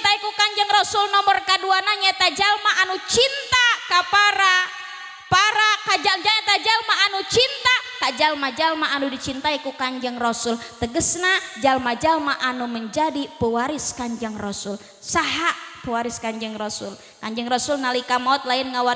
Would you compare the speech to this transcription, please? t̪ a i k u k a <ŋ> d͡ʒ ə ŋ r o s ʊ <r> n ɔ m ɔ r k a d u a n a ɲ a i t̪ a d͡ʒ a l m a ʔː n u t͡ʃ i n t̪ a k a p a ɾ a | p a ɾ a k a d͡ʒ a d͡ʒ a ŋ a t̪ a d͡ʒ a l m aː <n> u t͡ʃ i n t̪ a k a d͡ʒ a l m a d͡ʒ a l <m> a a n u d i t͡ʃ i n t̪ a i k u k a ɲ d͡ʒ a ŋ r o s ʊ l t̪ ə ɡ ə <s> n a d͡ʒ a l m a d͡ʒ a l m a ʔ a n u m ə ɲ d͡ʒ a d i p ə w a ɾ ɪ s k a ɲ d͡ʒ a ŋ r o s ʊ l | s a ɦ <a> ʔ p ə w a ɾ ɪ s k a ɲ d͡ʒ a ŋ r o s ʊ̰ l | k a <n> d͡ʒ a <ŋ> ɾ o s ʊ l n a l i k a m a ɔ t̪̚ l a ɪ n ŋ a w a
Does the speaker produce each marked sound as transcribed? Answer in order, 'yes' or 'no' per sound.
no, no, yes, yes, yes, yes, no, yes

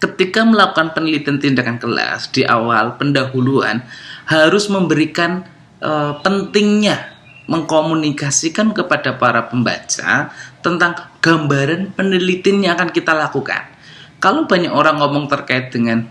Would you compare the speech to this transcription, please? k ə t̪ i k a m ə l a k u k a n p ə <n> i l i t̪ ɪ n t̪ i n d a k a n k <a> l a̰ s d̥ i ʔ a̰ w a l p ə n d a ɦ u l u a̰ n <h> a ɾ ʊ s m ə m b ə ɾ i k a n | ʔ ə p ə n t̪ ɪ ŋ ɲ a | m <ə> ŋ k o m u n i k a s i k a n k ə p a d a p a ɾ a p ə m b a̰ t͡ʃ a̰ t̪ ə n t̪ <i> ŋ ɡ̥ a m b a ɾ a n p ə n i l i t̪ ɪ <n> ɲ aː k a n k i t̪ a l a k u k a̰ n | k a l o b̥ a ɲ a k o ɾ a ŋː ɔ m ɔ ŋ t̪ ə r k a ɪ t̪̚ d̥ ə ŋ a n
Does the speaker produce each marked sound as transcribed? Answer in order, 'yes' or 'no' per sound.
yes, no, yes, yes, no, yes

